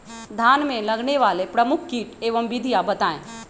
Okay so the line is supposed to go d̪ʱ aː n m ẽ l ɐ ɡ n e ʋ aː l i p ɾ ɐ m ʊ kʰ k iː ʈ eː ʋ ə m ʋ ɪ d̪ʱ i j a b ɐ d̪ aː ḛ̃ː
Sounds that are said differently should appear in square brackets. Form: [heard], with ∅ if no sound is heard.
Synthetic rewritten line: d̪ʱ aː n m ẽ l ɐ ɡ n e ʋ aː l [e] p ɾ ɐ m ʊ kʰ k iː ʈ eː ʋ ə m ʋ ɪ d̪ʱ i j a b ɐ [t̪] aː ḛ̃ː